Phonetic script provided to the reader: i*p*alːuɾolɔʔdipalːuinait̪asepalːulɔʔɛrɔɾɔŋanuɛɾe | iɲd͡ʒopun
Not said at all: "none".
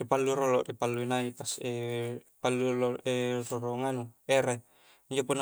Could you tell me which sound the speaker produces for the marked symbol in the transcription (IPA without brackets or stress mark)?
p